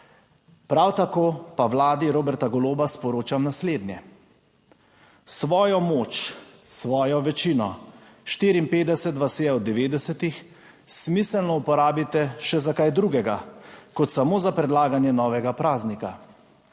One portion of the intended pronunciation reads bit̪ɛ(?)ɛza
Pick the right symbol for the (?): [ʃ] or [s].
ʃ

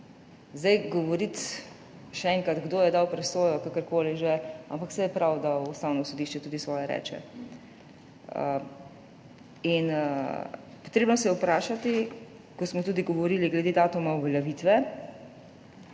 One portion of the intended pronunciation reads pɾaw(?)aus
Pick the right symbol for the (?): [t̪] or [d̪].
d̪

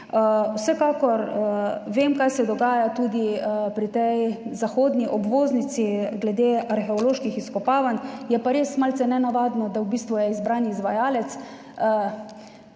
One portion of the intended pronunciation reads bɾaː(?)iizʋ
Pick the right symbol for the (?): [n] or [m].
n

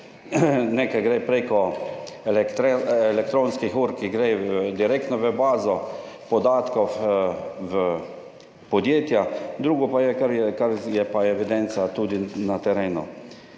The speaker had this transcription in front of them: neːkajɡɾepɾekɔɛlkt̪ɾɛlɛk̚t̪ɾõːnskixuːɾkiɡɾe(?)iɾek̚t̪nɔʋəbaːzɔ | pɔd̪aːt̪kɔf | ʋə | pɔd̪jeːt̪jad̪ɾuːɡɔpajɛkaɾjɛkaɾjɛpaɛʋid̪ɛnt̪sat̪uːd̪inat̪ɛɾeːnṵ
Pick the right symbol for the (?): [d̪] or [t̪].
d̪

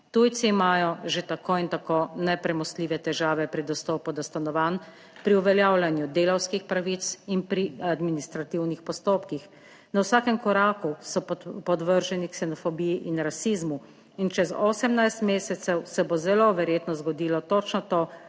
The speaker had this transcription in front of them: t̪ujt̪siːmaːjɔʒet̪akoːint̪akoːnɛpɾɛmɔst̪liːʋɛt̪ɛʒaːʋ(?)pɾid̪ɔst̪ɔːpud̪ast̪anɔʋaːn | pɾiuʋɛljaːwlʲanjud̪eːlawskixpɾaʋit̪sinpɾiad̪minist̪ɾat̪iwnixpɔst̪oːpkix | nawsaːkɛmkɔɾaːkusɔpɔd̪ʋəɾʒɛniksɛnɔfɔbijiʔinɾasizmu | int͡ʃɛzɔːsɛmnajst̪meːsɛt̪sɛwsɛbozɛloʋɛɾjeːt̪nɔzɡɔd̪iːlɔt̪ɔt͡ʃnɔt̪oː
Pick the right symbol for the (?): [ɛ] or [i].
ɛ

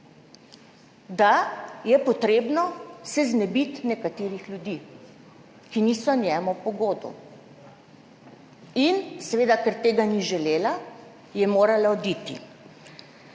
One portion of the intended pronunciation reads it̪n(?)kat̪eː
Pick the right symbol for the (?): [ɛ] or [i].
ɛ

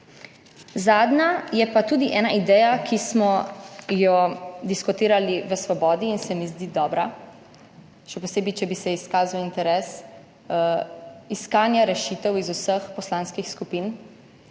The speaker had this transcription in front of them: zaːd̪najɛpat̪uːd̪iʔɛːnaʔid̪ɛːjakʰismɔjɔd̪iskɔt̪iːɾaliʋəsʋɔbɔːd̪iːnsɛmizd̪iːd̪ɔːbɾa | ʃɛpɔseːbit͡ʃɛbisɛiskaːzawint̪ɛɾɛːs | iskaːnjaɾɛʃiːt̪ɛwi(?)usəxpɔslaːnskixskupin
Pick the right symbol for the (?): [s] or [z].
z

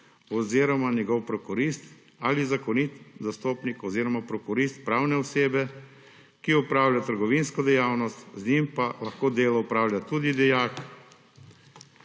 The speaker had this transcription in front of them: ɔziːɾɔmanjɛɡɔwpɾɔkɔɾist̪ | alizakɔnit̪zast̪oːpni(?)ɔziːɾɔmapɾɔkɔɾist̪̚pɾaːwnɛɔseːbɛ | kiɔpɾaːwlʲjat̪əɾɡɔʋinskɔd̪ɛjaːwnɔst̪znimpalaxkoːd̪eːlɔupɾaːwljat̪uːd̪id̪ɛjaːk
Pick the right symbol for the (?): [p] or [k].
k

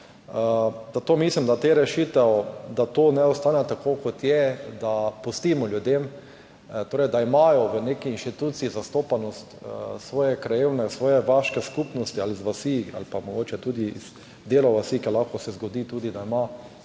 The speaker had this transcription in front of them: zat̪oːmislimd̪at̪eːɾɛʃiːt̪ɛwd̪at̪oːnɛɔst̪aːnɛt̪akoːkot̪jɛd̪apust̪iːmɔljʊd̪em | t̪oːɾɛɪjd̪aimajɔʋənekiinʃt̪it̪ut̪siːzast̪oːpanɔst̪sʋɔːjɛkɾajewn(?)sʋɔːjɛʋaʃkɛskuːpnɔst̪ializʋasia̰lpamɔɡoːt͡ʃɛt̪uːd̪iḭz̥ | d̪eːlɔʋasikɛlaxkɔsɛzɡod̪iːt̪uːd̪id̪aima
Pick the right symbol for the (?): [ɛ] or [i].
ɛ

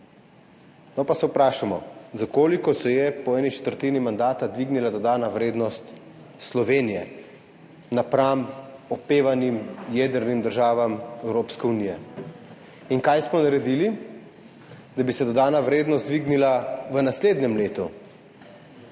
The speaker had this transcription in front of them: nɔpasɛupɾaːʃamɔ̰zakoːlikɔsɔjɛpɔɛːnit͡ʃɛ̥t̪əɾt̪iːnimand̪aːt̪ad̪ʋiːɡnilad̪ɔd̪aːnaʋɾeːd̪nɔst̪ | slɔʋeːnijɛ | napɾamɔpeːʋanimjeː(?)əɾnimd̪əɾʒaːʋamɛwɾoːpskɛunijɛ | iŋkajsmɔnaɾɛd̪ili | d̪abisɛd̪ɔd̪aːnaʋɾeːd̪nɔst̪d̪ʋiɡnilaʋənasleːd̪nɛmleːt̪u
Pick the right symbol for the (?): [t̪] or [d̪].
d̪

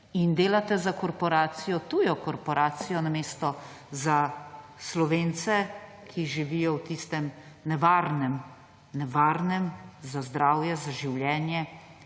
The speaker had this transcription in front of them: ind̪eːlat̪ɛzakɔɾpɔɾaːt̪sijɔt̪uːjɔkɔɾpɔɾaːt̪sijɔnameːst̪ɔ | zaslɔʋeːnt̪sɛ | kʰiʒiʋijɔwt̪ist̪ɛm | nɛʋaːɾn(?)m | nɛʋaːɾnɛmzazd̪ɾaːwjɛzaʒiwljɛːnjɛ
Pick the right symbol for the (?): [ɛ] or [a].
ɛ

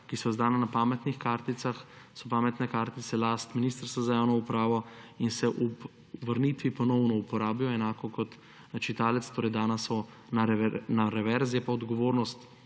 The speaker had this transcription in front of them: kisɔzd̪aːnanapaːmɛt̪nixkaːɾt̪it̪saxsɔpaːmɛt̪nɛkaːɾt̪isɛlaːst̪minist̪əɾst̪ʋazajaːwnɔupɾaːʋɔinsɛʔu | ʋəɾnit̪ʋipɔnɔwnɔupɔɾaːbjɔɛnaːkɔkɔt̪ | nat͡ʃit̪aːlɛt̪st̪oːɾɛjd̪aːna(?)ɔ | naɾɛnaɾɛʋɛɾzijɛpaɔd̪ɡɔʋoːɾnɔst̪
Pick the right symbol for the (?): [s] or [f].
s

